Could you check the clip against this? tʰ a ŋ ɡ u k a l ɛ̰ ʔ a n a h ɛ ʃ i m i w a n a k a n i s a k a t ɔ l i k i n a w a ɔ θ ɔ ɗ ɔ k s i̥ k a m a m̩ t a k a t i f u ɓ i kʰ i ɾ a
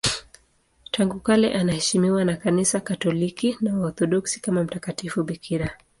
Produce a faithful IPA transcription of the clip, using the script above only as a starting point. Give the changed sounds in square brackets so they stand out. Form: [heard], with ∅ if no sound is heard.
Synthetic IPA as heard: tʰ a ŋ ɡ u k a l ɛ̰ ʔ a n a h ɛ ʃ i m i w a n a k a n i s a k a t ɔ l i k i n a w a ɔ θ ɔ ɗ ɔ k s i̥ k a m a m̩ t a k a t i f u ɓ i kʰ i ɾ a